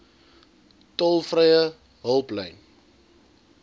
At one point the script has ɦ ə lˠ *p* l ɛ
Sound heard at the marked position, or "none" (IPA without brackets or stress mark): p